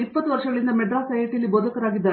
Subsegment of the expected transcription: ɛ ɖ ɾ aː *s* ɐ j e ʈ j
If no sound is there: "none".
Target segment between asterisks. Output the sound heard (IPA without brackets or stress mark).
s